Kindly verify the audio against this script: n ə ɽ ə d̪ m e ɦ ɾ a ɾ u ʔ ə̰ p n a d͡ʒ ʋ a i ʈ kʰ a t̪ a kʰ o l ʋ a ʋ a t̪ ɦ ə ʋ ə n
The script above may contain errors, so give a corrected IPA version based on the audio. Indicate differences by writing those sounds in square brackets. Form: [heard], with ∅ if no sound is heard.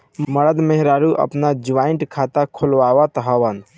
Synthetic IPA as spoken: [m] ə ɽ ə d̪ m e ɦ ɾ a ɾ u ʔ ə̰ p n a d͡ʒ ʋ a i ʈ kʰ a t̪ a kʰ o l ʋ a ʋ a t̪ ɦ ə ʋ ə n